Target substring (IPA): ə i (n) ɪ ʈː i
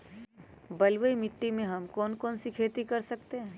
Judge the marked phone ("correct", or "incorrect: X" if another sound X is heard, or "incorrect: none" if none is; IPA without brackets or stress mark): incorrect: m